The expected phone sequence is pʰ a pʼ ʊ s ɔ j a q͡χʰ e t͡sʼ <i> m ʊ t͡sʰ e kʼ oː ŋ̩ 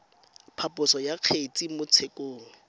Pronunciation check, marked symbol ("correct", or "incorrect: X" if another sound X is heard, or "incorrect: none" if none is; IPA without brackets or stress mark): correct